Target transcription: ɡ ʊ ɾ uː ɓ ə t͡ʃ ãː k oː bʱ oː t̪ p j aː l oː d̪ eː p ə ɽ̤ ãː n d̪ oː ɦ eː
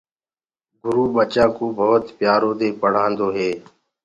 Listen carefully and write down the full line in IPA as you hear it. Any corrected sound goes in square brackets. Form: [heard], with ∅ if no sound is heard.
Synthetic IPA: ɡ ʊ ɾ uː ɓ ə t͡ʃ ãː k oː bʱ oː t̪ p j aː [ɾ] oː d̪ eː p ə ɽ̤ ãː n d̪ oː ɦ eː